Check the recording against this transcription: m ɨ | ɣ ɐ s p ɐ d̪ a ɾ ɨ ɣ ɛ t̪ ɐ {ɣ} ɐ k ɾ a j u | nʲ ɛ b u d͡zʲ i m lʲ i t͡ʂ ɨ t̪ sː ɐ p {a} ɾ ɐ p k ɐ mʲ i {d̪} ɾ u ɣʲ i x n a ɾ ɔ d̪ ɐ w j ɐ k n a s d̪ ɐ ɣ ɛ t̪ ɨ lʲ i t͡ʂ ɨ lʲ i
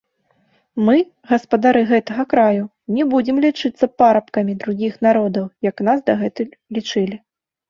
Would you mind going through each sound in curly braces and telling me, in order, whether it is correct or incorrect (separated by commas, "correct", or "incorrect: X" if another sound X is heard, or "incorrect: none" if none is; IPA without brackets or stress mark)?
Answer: correct, correct, correct